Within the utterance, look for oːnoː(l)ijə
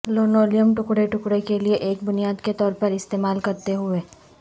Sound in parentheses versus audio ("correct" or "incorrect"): correct